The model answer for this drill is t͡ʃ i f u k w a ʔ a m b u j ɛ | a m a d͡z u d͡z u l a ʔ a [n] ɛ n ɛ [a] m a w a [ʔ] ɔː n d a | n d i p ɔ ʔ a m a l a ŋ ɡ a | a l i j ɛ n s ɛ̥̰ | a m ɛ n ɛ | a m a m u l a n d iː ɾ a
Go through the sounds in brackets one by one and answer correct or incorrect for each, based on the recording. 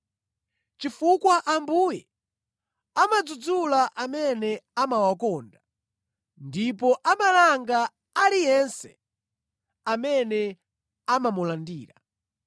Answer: incorrect: m, correct, incorrect: k

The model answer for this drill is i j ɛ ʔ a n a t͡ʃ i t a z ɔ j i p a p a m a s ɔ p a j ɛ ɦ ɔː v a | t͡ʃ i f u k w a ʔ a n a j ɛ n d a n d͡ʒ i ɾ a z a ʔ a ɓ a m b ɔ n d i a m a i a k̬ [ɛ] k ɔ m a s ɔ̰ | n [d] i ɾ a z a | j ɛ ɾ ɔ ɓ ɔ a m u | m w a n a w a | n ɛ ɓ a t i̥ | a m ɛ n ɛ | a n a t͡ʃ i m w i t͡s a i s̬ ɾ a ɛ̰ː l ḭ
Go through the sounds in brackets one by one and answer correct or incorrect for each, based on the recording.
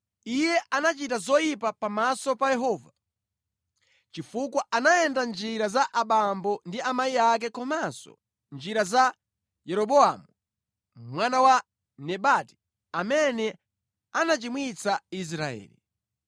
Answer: correct, incorrect: d͡ʒ

